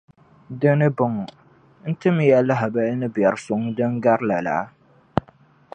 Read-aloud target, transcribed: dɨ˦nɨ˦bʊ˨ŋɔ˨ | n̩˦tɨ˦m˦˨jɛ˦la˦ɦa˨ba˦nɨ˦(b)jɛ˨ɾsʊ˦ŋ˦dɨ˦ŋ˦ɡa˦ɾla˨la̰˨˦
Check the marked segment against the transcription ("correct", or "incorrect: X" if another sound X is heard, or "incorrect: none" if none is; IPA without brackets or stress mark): correct